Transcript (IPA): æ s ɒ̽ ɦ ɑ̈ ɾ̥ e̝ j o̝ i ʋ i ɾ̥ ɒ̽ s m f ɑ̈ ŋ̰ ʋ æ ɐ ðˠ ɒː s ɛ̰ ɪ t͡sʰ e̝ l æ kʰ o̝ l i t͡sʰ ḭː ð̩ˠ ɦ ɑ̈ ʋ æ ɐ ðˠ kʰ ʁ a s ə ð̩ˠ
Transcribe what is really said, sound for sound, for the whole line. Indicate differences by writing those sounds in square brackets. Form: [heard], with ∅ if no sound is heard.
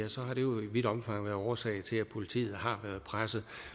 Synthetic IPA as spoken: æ s ɒ̽ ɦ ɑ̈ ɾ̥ e̝ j o̝ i ʋ i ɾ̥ ɒ̽ [∅] m f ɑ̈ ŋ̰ ʋ æ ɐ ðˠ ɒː s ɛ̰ ɪ t͡sʰ e̝ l æ [pʰ] o̝ l i t͡sʰ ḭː ð̩ˠ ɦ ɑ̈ ʋ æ ɐ ðˠ [pʰ] ʁ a s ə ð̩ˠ